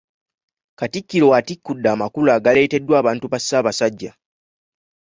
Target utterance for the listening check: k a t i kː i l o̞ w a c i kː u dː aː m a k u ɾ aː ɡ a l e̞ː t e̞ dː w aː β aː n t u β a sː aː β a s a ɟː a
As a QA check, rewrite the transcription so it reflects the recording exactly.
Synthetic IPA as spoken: k a t i kː i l o̞ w a t i kː u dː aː m a k u l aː ɡ a l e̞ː t e̞ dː w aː β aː n t u β a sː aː β a s a ɟː a